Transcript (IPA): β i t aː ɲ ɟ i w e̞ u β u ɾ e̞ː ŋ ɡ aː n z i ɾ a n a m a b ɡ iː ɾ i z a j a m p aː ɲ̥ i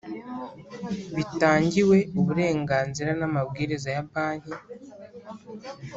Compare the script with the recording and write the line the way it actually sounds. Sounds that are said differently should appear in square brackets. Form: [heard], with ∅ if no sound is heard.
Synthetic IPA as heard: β i t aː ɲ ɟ i w e̞ u β u ɾ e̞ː ŋ ɡ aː n z i ɾ a n a m a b ɡ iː ɾ i z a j a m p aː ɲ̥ i